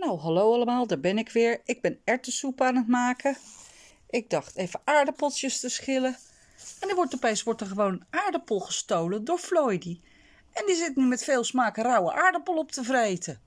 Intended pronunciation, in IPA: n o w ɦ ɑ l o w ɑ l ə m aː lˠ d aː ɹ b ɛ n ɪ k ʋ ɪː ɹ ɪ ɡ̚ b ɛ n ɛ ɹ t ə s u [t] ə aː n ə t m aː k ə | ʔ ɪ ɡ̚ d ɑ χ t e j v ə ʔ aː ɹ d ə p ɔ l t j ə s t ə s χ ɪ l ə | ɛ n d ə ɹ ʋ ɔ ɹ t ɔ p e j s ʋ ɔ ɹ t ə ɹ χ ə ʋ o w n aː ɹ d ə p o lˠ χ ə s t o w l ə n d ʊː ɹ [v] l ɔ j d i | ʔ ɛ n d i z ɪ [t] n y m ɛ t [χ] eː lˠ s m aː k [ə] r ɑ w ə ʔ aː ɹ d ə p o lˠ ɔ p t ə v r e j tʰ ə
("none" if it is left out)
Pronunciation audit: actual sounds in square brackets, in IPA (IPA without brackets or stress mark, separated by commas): p, f, t, f, ə